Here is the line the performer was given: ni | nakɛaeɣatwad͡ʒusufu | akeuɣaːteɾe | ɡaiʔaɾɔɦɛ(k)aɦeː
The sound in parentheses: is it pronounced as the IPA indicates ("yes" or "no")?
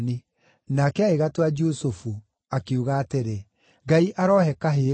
yes